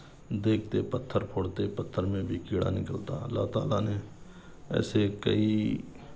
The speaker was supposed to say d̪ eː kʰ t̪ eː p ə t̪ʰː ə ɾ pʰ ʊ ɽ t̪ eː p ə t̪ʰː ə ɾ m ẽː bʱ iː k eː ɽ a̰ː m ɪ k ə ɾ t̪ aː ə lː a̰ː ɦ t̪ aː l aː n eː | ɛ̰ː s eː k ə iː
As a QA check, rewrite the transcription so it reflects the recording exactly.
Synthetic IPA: d̪ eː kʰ t̪ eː p ə t̪ʰː ə ɾ pʰ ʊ ɽ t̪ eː p ə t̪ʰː ə ɾ m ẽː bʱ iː k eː ɽ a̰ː n ɪ k ə l t̪ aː ə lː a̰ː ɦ t̪ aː l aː n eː | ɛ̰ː s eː k ə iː